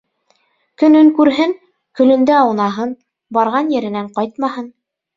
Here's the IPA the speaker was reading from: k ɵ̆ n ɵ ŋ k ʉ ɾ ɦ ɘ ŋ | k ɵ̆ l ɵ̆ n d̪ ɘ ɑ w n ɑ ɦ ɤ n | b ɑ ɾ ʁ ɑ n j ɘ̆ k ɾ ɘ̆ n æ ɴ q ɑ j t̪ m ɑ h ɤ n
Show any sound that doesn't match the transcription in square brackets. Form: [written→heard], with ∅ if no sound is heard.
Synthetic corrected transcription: k ɵ̆ n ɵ ŋ k ʉ ɾ ɦ ɘ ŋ | k ɵ̆ l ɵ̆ n d̪ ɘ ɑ w n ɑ ɦ ɤ n | b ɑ ɾ ʁ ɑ n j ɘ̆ [k→∅] ɾ ɘ̆ n æ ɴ q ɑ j t̪ m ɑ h ɤ n